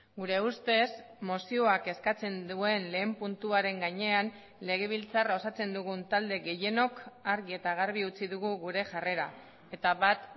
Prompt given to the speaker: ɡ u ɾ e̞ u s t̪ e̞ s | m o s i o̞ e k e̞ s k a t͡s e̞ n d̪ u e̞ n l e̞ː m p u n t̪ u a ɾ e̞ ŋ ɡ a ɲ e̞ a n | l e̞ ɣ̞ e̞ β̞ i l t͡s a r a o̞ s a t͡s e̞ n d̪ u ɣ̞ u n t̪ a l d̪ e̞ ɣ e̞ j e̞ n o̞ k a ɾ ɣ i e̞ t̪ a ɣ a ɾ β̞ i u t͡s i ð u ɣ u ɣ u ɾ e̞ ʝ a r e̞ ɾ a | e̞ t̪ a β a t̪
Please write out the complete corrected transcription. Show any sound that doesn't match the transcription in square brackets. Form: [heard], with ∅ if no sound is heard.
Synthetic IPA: ɡ u ɾ e̞ u s t̪ e̞ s | m o s i o̞ [a] k e̞ s k a t͡s e̞ n d̪ u e̞ n l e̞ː m p u n t̪ u a ɾ e̞ ŋ ɡ a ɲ e̞ a n | l e̞ ɣ̞ e̞ β̞ i l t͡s a r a o̞ s a t͡s e̞ n d̪ u ɣ̞ u n t̪ a l d̪ e̞ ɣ e̞ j e̞ n o̞ k a ɾ ɣ i e̞ t̪ a ɣ a ɾ β̞ i u t͡s i ð u ɣ u ɣ u ɾ e̞ ʝ a r e̞ ɾ a | e̞ t̪ a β a t̪